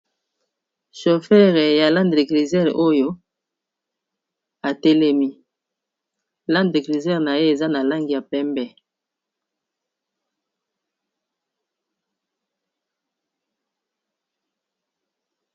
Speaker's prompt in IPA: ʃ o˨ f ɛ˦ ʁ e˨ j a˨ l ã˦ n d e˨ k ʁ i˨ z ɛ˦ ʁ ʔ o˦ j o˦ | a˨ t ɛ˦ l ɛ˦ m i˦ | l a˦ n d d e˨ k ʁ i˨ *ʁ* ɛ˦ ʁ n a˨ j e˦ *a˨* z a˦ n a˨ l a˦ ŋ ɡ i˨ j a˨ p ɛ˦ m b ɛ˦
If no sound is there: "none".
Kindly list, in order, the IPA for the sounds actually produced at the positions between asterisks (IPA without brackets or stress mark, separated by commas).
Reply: z, e˨